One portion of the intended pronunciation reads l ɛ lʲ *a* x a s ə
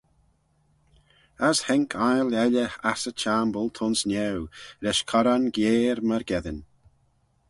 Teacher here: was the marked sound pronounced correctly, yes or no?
no